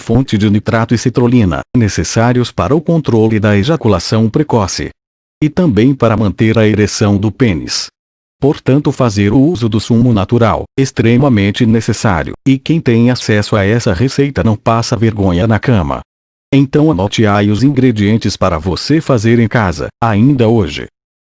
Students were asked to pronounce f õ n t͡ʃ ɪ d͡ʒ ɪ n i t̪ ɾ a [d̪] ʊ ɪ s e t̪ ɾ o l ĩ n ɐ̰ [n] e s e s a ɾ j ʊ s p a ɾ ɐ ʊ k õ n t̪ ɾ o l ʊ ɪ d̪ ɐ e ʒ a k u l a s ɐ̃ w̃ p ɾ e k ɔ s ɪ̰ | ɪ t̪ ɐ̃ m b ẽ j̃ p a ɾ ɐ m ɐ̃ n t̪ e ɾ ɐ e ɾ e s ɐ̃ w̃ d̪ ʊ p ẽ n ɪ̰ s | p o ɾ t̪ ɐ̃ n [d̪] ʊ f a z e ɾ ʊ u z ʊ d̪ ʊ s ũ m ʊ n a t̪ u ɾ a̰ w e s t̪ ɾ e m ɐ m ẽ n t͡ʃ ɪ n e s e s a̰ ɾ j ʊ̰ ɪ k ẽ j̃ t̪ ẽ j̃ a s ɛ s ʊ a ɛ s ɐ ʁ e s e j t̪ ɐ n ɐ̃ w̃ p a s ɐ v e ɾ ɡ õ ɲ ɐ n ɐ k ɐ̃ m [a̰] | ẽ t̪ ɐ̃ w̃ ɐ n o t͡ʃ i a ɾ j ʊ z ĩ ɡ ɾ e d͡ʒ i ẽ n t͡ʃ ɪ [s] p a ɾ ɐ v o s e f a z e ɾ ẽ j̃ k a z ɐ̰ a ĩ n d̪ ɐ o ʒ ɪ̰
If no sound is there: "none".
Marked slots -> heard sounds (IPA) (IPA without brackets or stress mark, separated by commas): t̪, n, t̪, ɐ̰, s